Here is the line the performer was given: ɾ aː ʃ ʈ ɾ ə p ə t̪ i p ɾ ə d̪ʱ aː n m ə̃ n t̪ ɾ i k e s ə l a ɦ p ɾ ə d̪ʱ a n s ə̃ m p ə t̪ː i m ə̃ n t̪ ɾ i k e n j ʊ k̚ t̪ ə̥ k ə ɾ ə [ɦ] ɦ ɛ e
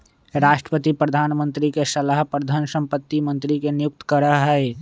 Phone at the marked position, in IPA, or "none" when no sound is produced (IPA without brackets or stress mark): ɦ